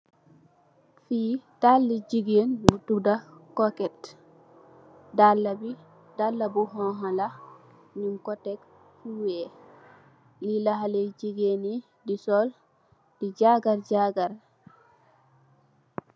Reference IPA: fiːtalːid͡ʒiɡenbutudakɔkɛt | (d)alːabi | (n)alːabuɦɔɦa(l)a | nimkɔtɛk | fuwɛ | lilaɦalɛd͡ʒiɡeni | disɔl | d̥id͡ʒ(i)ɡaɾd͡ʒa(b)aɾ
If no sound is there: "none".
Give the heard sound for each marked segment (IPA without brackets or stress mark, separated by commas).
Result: d, d, l, a, ɡ